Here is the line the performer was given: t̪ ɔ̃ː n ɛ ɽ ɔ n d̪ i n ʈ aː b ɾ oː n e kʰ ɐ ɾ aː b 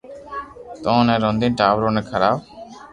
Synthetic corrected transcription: t̪ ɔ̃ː n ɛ ɾ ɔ n d̪ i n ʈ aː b ɾ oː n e kʰ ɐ ɾ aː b